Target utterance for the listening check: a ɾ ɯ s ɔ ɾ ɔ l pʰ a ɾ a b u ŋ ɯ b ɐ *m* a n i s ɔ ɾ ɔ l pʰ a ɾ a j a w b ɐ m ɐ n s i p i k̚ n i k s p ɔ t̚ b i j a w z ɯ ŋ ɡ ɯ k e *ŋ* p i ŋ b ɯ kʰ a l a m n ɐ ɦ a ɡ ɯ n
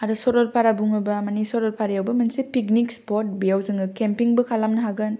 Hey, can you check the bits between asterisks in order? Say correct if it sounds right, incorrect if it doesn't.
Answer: correct, incorrect

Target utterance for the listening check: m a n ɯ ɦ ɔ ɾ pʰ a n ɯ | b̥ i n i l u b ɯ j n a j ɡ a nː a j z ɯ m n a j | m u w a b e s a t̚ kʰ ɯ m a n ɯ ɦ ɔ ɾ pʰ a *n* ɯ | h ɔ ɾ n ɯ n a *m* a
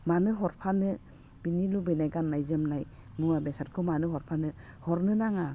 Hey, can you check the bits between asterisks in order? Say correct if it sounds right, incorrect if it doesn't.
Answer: correct, incorrect

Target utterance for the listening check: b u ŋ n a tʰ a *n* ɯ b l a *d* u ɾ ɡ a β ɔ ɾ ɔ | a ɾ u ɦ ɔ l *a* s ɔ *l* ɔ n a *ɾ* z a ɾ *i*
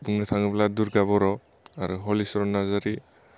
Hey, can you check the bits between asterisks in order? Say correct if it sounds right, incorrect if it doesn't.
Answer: incorrect, correct, incorrect, incorrect, incorrect, correct

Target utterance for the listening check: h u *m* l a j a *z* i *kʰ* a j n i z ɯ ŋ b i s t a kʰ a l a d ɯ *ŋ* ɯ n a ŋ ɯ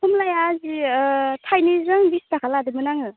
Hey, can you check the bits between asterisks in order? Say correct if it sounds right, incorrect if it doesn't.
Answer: correct, correct, incorrect, incorrect

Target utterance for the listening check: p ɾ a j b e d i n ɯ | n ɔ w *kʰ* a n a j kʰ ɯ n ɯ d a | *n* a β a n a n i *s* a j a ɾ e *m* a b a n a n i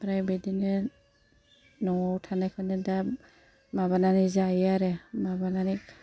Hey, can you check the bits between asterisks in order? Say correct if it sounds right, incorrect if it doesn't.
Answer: incorrect, incorrect, incorrect, correct

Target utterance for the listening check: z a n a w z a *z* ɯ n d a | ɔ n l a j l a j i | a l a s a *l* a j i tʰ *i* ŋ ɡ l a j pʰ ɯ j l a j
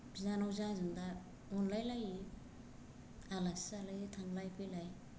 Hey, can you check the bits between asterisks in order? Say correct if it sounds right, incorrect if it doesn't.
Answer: correct, correct, incorrect

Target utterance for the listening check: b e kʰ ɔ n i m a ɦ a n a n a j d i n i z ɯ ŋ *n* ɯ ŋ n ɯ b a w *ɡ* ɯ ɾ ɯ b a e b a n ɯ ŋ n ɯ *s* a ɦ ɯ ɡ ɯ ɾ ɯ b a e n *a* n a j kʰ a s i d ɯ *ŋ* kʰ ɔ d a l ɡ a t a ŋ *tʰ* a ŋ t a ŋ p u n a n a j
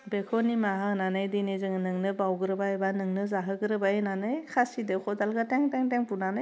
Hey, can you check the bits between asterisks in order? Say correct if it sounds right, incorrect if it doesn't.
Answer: correct, correct, incorrect, correct, incorrect, incorrect

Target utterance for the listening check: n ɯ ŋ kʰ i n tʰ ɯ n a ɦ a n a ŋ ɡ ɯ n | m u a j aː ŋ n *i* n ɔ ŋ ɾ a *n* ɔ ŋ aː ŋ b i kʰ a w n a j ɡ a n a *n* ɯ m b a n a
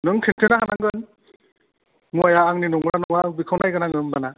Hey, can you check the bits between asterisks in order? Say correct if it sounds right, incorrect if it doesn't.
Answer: correct, correct, incorrect

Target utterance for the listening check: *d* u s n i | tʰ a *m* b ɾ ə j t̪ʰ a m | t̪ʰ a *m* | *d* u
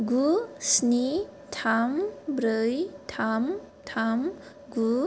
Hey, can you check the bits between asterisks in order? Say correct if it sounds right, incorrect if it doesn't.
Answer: incorrect, correct, correct, incorrect

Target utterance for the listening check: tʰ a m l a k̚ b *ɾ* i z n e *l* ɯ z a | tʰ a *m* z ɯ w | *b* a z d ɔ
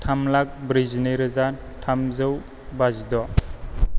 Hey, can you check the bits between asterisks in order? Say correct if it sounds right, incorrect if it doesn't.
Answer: correct, incorrect, correct, correct

